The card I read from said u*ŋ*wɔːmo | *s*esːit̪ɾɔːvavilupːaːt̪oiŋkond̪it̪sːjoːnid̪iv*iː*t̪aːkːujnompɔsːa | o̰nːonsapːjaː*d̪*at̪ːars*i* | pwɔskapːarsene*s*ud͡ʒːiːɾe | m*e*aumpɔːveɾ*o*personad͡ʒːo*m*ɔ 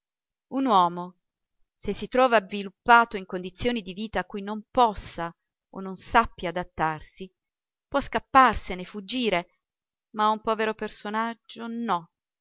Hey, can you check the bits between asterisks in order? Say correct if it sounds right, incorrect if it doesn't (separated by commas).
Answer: incorrect, correct, correct, correct, correct, incorrect, incorrect, correct, incorrect